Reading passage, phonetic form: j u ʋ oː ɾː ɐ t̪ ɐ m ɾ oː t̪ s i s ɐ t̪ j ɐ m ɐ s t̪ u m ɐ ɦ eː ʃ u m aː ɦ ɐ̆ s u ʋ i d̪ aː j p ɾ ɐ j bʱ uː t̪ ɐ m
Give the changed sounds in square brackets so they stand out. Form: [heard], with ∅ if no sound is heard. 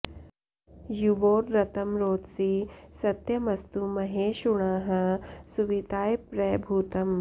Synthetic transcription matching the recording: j u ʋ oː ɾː ɐ t̪ ɐ m ɾ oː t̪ s i s ɐ t̪ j ɐ m ɐ s t̪ u m ɐ ɦ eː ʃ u [ɳ] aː ɦ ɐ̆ s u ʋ i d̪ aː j p ɾ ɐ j bʱ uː t̪ ɐ m